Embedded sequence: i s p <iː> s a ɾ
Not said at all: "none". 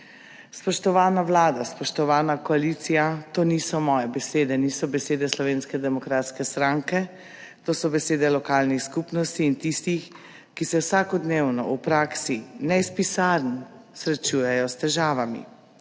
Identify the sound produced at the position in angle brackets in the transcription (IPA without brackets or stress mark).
i